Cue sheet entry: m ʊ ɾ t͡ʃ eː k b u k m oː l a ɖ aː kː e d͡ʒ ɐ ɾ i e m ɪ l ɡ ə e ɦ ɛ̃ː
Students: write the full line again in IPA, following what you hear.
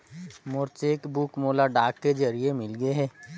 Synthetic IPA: m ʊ ɾ t͡ʃ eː k b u k m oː l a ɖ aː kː e d͡ʒ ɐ ɾ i e m ɪ l ɡ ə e ɦ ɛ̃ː